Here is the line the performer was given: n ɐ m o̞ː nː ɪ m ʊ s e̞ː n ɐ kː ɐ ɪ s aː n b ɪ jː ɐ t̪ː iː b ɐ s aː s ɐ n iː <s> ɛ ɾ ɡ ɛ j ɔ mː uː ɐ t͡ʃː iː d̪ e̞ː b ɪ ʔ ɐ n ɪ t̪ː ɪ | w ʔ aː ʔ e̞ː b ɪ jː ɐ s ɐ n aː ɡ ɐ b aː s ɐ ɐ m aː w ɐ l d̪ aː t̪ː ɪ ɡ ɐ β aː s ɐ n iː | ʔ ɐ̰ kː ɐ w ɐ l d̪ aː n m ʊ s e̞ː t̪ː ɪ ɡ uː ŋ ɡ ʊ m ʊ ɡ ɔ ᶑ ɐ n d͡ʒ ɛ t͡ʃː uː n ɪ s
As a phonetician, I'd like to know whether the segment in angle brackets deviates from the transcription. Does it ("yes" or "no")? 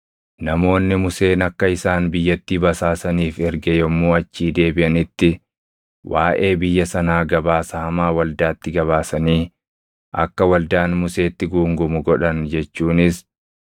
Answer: yes